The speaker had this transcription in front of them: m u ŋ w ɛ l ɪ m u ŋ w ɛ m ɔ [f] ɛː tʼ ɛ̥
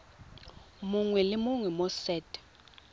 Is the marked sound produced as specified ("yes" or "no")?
no